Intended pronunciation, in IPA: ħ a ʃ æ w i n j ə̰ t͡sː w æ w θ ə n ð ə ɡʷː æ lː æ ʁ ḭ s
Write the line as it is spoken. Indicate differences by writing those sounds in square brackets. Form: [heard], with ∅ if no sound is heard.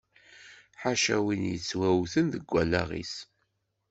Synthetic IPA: ħ a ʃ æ w i n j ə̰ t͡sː w æ w θ ə n ð ə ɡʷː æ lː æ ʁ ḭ s